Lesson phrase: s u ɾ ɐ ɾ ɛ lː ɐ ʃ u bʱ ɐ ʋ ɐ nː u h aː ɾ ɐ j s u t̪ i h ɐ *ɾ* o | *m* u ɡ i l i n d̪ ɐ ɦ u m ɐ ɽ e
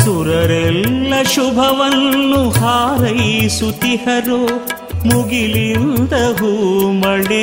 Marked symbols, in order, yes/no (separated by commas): yes, yes